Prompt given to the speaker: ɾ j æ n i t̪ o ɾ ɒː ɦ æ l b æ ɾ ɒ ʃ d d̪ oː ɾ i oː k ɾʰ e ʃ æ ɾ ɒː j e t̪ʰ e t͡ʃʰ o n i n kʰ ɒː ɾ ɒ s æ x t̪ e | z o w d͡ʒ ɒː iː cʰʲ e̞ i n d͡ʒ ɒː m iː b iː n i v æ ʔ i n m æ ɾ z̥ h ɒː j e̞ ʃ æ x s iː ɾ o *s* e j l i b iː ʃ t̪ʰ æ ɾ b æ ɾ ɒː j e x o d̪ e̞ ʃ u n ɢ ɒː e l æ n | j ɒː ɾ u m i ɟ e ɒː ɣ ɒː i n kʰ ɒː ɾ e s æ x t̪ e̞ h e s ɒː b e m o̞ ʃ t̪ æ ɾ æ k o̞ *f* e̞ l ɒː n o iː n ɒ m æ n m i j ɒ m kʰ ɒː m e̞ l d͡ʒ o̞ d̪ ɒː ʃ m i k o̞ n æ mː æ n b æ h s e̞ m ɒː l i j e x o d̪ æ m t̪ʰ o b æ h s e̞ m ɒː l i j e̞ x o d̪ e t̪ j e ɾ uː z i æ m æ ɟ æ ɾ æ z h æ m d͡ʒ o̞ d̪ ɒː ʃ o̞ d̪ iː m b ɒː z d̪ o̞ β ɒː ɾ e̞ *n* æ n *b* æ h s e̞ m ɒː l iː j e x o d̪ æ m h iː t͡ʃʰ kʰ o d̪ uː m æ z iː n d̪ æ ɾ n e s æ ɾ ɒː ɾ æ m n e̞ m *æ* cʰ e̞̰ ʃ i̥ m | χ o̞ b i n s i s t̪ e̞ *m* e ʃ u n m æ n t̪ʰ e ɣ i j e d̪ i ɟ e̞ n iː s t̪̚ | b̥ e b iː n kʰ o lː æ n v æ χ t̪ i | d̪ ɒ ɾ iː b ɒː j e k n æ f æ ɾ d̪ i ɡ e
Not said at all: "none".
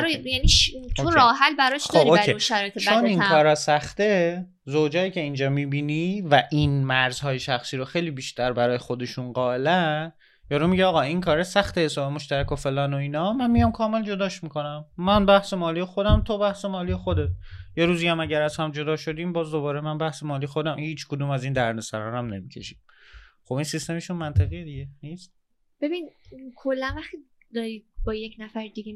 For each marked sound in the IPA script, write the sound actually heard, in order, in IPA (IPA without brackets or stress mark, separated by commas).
x, f, m, b, i, m